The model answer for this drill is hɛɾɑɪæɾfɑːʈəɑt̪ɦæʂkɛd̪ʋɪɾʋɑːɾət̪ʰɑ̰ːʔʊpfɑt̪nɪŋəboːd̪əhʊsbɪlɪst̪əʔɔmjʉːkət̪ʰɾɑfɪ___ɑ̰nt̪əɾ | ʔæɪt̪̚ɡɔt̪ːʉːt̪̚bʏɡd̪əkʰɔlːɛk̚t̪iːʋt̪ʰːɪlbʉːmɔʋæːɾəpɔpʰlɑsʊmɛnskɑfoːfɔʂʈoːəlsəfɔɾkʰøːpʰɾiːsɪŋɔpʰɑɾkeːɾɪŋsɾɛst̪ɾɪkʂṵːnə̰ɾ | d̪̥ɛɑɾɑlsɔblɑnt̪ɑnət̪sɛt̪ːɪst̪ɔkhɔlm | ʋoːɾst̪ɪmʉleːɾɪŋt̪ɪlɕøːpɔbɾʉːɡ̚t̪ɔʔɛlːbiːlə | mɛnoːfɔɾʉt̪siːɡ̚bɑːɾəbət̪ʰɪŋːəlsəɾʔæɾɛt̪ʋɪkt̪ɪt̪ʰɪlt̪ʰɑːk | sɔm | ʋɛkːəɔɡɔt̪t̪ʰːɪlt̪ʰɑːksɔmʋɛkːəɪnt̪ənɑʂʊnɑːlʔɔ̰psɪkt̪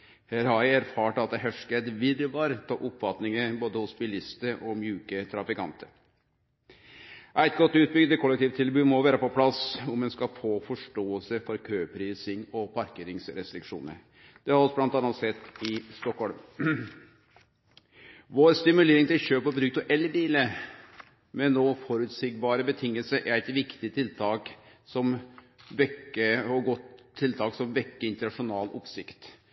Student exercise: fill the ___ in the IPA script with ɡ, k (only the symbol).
k